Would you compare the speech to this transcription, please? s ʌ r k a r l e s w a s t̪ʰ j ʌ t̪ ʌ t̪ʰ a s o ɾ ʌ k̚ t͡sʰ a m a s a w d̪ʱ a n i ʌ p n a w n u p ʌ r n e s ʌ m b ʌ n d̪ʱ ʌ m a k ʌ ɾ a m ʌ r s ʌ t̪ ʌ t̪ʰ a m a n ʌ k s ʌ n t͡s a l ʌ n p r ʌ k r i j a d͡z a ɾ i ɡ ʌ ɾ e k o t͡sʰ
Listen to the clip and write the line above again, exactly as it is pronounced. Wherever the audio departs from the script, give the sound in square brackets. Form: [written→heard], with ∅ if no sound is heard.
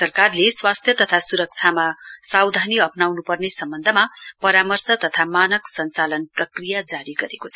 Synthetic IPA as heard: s ʌ r k a r l e s w a s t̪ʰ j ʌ t̪ ʌ t̪ʰ a s [o→u] ɾ ʌ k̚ t͡sʰ a m a s a w d̪ʱ a n i ʌ p n a w n u p ʌ r n e s ʌ m b ʌ n d̪ʱ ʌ m a [k→p] ʌ ɾ a m ʌ r s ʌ t̪ ʌ t̪ʰ a m a n ʌ k s ʌ n t͡s a l ʌ n p r ʌ k r i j a d͡z a ɾ i ɡ ʌ ɾ e k o t͡sʰ